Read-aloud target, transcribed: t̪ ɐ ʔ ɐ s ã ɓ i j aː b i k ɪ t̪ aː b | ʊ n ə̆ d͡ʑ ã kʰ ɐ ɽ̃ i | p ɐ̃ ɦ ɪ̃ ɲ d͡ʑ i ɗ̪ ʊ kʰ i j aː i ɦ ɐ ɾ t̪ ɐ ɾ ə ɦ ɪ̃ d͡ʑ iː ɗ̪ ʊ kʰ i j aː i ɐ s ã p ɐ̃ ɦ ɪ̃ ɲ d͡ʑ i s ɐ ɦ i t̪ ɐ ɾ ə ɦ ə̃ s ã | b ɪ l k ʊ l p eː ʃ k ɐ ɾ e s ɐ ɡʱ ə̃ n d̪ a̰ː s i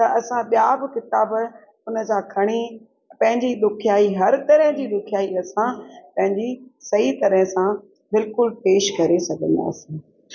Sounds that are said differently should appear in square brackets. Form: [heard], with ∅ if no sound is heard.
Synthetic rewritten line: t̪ ɐ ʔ ɐ s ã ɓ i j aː b [ɪ] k ɪ t̪ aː b | ʊ n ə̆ d͡ʑ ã kʰ ɐ ɽ̃ i | p ɐ̃ ɦ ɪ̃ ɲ d͡ʑ i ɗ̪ ʊ kʰ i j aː i ɦ ɐ ɾ t̪ ɐ ɾ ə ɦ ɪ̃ d͡ʑ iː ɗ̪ ʊ kʰ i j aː i ɐ s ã p ɐ̃ ɦ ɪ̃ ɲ d͡ʑ i s ɐ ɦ i t̪ ɐ ɾ ə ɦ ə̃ s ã | b ɪ l k ʊ l p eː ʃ k ɐ ɾ e s ɐ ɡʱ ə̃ n d̪ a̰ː s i

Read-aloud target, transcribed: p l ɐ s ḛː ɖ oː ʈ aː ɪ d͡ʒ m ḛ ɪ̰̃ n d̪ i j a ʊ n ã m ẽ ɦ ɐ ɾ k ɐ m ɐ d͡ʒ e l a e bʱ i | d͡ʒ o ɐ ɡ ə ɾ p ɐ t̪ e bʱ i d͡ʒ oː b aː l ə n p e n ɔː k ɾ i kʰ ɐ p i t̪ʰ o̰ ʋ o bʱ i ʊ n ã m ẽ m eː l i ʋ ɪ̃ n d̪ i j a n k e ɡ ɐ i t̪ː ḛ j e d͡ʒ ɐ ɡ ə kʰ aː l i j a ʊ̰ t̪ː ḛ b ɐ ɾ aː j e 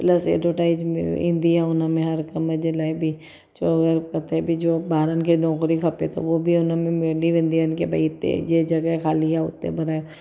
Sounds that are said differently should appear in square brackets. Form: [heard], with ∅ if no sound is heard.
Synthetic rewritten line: p l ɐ s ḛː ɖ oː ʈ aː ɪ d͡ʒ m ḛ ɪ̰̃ n d̪ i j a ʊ n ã m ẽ ɦ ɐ ɾ k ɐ m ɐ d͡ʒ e l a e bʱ i | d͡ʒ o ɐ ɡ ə ɾ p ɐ t̪ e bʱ i d͡ʒ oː b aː [ɾ] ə n [k] e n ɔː k ɾ i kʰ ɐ p [e] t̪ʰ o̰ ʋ o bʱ i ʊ n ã m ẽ m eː l i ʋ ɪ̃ n d̪ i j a n k e [b] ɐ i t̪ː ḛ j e d͡ʒ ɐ ɡ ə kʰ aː l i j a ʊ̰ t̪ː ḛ b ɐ ɾ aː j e

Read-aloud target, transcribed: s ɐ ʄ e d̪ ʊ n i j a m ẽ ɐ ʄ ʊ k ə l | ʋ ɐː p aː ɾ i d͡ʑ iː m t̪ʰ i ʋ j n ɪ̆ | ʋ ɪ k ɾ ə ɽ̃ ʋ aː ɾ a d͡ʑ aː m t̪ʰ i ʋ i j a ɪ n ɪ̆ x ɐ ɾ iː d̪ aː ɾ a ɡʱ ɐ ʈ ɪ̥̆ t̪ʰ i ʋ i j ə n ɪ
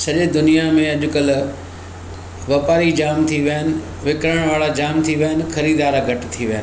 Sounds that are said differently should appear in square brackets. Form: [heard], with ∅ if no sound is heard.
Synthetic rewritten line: s ɐ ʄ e d̪ ʊ n i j a m ẽ ɐ ʄ ʊ k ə l | ʋ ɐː p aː ɾ i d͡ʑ [aː] m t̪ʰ i ʋ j n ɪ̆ | ʋ ɪ k ɾ ə ɽ̃ ʋ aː [ɭ] a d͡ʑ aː m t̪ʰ i ʋ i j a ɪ n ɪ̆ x ɐ ɾ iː d̪ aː ɾ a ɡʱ ɐ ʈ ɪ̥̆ t̪ʰ i ʋ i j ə n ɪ

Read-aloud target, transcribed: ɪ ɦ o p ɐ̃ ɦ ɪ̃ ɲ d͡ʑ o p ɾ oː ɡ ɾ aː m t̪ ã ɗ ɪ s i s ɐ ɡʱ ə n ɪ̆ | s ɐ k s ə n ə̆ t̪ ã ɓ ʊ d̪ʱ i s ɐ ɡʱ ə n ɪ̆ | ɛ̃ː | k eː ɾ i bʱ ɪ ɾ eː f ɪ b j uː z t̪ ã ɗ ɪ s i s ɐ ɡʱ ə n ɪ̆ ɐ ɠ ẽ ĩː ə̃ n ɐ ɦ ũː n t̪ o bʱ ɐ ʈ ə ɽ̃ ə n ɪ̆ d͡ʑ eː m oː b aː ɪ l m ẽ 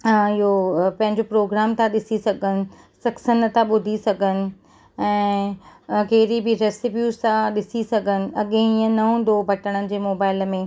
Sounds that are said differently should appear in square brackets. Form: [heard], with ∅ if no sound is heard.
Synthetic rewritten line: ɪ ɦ o p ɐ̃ ɦ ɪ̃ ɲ d͡ʑ o p ɾ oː ɡ ɾ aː m t̪ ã ɗ ɪ s i s ɐ ɡʱ ə n ɪ̆ | s ɐ k s ə n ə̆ t̪ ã ɓ ʊ d̪ʱ i s ɐ ɡʱ ə n ɪ̆ | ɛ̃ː | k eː ɾ i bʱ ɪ ɾ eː [s] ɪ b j uː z t̪ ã ɗ ɪ s i s ɐ ɡʱ ə n ɪ̆ ɐ ɠ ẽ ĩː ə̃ n ɐ ɦ ũː n [d̪] o bʱ ɐ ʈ ə ɽ̃ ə n ɪ̆ d͡ʑ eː m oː b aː ɪ l m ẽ

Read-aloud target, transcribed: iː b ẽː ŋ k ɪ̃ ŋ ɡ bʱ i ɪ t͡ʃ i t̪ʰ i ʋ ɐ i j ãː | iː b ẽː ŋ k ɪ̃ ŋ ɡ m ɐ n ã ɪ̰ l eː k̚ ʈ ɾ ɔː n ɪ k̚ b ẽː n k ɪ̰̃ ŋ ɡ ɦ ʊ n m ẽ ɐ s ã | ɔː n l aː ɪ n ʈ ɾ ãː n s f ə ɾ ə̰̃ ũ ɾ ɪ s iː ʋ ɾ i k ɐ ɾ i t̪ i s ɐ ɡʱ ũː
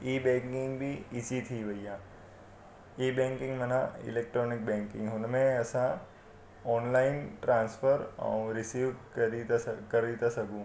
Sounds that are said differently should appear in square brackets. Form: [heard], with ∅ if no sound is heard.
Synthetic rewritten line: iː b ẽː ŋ k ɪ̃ ŋ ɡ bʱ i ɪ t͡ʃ i t̪ʰ i ʋ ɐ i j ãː | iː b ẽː ŋ k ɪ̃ ŋ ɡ m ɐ n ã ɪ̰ l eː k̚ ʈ ɾ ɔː n ɪ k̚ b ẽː [ŋ] k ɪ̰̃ ŋ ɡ ɦ ʊ n m ẽ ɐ s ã | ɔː n l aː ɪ n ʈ ɾ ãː n s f ə ɾ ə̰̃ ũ ɾ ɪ s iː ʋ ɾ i k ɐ ɾ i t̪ [a] s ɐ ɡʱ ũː

